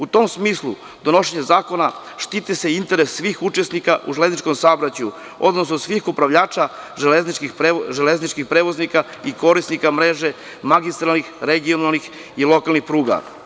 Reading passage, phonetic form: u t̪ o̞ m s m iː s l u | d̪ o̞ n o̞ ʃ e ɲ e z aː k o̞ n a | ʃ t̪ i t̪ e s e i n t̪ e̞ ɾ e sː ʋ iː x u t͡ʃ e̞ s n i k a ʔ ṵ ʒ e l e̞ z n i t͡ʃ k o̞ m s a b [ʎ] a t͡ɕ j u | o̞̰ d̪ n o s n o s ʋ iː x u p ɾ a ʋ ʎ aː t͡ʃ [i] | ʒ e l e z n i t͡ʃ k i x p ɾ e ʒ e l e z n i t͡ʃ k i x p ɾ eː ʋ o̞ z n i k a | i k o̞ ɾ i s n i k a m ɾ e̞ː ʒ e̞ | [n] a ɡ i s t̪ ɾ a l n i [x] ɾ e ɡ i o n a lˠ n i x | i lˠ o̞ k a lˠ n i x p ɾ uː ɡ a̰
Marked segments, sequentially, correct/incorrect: incorrect: ɾ, incorrect: a, incorrect: m, correct

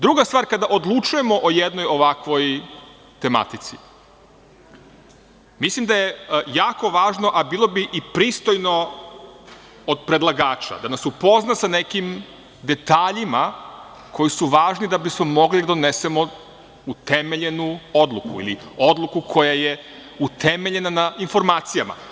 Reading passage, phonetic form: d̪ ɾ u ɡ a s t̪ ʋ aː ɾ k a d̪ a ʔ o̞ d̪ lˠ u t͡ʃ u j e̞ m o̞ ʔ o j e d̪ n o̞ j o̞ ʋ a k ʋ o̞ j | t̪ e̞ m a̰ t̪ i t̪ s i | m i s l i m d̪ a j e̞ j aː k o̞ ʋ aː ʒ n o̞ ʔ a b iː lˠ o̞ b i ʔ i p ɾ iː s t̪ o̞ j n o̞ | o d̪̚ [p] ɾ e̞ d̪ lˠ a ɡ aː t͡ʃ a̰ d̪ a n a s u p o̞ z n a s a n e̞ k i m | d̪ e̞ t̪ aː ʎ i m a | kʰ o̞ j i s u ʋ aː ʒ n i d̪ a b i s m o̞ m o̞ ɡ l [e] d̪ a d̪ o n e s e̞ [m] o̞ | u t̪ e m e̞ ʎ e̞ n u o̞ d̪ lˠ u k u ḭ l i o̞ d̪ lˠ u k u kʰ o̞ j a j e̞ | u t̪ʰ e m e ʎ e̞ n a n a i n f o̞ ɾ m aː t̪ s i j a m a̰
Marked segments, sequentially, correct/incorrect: correct, incorrect: i, correct

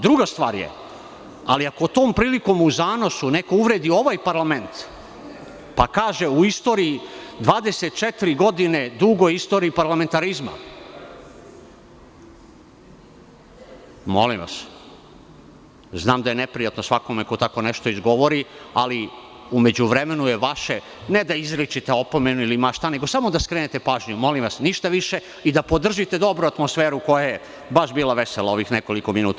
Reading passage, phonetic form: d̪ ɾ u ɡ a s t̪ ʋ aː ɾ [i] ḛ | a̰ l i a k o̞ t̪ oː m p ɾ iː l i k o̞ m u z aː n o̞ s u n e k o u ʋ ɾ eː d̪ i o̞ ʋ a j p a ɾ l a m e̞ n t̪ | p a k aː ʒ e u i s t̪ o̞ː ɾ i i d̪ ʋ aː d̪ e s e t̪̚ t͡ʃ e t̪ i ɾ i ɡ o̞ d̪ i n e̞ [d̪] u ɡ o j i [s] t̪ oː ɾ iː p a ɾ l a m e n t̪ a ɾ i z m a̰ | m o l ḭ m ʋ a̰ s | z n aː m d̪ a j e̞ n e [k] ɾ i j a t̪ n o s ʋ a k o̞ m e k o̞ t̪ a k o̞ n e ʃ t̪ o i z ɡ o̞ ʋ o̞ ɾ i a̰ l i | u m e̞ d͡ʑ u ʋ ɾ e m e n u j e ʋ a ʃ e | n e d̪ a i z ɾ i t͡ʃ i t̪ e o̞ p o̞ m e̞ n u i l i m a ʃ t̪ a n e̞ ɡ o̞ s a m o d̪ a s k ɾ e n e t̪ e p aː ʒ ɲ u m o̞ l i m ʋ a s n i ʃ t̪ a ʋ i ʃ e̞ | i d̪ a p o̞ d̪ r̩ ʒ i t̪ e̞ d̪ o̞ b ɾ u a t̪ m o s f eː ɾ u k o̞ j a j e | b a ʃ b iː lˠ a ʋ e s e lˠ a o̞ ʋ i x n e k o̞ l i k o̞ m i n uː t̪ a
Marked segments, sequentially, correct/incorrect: incorrect: j, correct, correct, incorrect: p

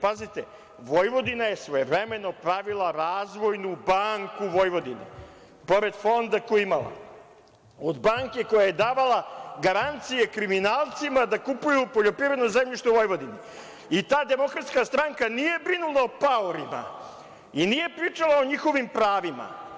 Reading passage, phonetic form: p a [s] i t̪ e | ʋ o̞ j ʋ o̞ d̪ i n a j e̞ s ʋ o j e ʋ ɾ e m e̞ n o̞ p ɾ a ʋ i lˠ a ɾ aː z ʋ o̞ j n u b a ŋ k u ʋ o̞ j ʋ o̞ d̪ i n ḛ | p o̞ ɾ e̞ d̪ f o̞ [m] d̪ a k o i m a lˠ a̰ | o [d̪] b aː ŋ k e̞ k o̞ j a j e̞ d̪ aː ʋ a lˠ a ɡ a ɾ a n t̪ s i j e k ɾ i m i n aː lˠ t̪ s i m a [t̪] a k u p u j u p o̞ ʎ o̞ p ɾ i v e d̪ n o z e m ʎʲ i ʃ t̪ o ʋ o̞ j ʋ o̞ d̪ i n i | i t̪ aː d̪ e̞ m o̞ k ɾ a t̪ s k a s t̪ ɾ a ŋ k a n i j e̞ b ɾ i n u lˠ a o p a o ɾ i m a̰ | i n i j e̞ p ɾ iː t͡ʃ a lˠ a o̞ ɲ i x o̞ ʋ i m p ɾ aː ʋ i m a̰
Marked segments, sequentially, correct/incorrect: incorrect: z, incorrect: n, correct, incorrect: d̪

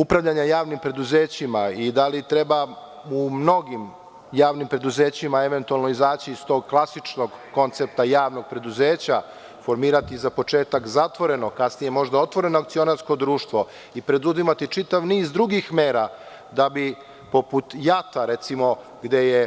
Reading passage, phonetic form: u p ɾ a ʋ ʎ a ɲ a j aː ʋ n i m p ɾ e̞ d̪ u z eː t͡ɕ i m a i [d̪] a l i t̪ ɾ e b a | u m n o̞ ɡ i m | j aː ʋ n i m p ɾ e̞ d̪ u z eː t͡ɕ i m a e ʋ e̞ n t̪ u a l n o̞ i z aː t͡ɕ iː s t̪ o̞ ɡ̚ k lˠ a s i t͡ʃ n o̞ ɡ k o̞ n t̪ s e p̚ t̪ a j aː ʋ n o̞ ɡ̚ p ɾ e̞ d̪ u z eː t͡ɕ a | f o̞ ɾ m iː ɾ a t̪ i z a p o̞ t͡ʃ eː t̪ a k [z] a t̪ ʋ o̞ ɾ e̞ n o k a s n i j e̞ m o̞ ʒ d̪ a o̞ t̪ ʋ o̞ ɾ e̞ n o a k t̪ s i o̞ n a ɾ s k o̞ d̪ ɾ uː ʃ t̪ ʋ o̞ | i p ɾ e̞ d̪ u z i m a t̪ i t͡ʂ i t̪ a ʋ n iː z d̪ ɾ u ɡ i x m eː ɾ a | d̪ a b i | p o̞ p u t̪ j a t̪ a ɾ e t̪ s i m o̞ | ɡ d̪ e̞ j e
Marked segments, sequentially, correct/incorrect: correct, correct

